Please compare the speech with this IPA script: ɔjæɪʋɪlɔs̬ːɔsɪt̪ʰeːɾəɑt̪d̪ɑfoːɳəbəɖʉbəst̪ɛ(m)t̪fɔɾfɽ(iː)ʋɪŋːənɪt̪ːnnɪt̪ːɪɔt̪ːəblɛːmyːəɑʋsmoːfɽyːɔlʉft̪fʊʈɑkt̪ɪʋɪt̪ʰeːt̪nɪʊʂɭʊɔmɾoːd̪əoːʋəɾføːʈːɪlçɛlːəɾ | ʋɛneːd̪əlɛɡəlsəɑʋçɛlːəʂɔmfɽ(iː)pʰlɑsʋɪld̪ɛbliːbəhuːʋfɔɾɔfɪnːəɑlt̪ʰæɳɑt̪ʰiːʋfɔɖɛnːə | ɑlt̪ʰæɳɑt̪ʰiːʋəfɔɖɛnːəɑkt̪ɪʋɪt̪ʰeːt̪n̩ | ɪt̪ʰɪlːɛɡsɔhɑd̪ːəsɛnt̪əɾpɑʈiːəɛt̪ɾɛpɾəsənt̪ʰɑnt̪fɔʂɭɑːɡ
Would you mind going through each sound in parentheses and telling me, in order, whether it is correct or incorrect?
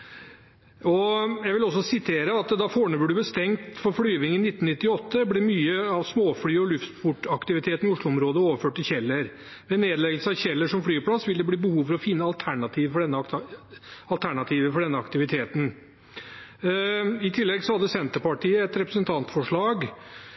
incorrect, incorrect, incorrect

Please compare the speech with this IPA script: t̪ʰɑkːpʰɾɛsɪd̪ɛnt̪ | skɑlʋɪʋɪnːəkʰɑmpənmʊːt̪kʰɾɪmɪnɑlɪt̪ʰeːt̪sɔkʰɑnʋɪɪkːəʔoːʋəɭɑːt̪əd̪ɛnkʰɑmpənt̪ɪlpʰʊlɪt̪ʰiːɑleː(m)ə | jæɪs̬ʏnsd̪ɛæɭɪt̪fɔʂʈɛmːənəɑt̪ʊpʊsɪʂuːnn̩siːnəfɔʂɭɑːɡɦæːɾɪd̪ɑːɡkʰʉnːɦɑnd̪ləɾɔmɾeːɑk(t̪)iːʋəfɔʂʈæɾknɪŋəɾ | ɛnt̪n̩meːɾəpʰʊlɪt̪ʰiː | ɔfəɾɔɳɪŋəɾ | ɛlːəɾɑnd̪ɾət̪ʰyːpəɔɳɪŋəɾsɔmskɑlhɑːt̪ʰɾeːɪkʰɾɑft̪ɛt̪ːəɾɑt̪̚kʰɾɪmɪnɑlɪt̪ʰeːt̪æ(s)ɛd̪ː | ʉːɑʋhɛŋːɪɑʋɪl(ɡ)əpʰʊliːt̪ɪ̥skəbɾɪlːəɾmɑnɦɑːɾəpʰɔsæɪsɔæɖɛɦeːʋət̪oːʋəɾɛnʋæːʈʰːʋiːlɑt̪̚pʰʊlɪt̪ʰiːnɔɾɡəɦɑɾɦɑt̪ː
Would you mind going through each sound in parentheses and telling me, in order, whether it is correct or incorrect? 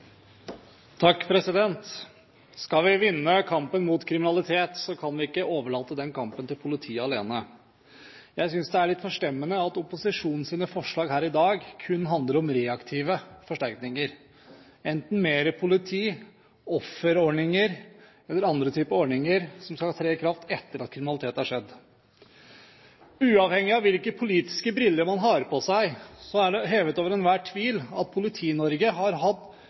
incorrect, incorrect, incorrect, incorrect

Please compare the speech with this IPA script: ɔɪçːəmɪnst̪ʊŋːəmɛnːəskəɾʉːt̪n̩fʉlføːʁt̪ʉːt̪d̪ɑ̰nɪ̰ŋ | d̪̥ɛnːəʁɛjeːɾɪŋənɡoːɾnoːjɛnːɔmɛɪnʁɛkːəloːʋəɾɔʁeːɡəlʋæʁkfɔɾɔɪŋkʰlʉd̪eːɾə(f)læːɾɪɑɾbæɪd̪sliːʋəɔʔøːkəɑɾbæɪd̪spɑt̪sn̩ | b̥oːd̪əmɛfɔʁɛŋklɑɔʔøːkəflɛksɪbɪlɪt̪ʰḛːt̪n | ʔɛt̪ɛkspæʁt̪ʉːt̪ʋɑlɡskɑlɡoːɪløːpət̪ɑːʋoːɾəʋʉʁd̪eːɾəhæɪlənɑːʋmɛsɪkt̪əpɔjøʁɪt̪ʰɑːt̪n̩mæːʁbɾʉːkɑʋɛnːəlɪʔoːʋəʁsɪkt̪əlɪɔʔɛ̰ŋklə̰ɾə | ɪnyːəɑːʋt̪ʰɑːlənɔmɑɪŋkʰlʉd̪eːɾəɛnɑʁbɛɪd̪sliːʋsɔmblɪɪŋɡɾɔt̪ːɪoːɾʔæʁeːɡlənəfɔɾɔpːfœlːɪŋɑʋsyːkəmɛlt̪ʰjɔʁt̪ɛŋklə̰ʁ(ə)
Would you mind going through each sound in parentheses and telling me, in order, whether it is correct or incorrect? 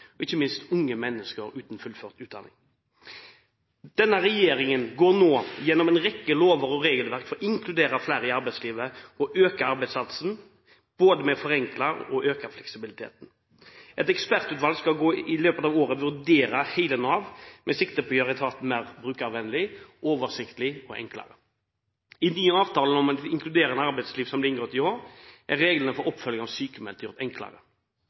correct, correct

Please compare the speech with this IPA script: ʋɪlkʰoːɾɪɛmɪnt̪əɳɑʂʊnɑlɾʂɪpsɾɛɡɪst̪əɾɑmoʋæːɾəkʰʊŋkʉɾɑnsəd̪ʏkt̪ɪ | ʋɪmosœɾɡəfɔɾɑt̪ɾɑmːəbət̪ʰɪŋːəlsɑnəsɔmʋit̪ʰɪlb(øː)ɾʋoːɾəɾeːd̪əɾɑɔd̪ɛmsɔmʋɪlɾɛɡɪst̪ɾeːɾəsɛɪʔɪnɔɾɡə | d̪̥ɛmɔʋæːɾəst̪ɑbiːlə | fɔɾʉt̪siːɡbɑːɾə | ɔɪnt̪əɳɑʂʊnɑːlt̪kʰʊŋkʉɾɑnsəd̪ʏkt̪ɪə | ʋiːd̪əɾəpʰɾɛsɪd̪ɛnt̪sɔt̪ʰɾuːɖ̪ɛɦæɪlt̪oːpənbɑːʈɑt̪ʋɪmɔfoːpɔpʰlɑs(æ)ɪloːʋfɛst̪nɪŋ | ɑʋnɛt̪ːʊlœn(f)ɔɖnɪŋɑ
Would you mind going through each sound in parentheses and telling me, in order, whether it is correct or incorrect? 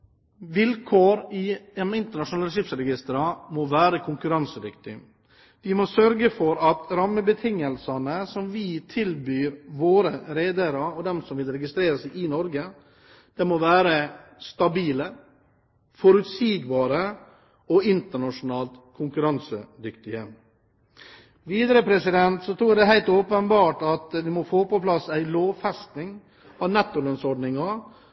incorrect, correct, incorrect

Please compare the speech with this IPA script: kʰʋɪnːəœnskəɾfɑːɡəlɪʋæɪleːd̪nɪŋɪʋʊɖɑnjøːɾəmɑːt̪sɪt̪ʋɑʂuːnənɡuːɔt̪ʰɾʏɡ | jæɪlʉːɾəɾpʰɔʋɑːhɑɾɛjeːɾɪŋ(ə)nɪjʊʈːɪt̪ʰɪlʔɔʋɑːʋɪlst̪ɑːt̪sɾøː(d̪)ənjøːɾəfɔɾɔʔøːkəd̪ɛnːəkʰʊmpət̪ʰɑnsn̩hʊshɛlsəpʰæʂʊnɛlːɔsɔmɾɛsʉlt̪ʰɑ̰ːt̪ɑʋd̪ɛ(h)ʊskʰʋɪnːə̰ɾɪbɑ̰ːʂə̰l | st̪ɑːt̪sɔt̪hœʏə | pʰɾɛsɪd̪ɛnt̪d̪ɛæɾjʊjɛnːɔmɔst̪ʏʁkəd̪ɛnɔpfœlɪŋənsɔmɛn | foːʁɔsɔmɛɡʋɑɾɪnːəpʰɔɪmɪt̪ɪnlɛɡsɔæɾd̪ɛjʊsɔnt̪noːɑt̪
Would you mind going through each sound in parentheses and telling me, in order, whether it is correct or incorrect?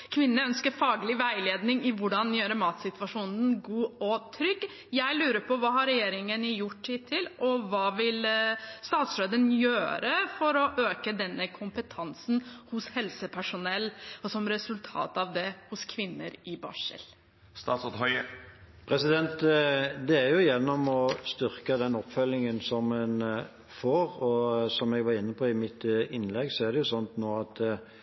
correct, correct, correct

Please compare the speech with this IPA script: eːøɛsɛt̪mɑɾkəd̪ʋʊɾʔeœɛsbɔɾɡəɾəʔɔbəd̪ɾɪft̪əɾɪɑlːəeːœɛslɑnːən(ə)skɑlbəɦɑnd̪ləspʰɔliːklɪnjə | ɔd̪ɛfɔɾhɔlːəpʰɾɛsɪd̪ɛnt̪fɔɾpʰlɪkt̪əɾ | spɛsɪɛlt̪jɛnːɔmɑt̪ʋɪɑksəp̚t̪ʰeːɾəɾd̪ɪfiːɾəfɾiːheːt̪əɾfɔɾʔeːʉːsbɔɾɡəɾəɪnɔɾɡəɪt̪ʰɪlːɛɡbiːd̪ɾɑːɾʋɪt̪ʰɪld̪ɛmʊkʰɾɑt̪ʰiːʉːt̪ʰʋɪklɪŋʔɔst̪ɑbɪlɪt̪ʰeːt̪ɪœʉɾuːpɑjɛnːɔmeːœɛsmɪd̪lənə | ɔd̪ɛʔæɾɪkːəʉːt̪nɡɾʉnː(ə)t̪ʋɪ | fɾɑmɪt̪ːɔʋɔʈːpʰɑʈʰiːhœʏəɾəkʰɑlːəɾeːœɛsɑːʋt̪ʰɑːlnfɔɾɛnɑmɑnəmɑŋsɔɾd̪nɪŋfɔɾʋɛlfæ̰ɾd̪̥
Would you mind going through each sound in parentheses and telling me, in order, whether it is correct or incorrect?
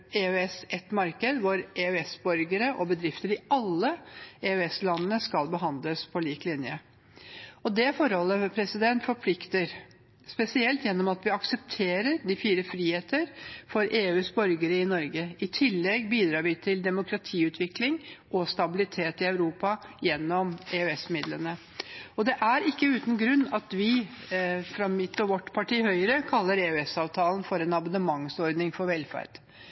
correct, incorrect

